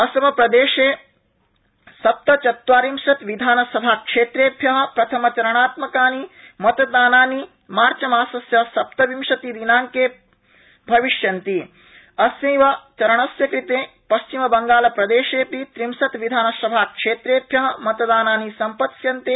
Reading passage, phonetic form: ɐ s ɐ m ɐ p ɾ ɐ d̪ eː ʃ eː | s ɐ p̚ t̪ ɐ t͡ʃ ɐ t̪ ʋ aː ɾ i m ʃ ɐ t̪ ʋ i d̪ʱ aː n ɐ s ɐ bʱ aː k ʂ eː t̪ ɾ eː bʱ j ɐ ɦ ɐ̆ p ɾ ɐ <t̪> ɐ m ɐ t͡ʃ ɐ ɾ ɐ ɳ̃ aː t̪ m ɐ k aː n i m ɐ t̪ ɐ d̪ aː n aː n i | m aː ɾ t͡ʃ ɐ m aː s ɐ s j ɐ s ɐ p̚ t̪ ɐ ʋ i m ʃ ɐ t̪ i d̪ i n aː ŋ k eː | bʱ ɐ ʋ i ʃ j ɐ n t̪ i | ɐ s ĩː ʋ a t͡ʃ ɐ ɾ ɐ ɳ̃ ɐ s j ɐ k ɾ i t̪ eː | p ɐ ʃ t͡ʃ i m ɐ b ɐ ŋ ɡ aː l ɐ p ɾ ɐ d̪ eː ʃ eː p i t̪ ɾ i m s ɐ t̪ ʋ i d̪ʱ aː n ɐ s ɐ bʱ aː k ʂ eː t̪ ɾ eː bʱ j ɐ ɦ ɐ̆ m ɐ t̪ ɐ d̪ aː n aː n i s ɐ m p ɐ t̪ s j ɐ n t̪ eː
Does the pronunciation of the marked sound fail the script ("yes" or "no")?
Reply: yes